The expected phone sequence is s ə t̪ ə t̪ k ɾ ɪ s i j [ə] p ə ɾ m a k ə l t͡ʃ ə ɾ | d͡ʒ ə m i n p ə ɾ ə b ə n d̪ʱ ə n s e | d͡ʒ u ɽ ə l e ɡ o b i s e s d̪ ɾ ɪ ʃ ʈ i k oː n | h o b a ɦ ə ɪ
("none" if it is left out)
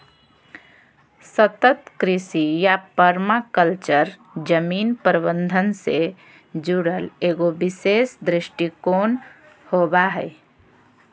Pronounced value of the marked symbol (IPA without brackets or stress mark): a